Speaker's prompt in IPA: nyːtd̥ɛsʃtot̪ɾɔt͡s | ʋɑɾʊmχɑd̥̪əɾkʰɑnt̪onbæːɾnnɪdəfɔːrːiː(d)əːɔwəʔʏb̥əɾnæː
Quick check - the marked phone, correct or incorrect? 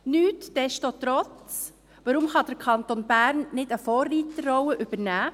incorrect